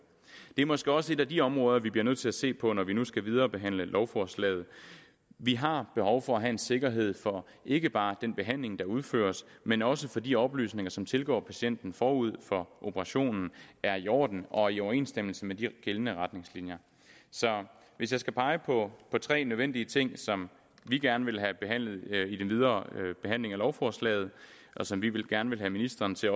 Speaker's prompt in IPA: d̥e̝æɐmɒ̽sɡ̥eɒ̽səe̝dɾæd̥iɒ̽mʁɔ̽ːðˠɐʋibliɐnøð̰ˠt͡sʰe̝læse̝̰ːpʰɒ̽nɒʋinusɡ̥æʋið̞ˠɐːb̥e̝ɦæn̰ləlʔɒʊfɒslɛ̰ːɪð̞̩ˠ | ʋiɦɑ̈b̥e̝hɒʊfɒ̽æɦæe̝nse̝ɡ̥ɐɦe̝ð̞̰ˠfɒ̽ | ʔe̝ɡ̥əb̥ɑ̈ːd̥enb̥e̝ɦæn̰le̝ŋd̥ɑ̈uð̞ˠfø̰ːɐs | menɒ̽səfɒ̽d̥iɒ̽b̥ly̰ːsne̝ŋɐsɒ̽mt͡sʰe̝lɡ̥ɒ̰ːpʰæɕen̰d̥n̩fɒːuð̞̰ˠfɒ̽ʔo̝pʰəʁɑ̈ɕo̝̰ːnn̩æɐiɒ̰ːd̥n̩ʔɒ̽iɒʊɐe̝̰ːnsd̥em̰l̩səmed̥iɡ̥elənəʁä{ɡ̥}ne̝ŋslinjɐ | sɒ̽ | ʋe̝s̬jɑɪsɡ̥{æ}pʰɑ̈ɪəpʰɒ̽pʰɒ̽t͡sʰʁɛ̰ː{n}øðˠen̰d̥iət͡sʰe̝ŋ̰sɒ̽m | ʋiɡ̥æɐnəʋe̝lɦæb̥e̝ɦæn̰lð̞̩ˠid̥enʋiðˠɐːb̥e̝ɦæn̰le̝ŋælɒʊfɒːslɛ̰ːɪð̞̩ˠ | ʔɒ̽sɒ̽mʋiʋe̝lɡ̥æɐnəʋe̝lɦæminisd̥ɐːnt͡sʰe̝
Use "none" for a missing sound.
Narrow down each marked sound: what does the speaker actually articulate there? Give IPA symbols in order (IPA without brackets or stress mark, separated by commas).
d̥, æ, n